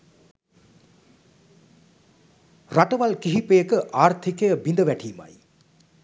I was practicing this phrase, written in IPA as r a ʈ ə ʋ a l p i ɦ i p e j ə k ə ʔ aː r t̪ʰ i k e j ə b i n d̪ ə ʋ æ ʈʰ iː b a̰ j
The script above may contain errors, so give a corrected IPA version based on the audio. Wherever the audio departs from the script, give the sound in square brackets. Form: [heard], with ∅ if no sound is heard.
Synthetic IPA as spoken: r a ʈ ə ʋ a l [k] i ɦ i p e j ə k ə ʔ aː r t̪ʰ i k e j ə b i n d̪ ə ʋ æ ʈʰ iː [m] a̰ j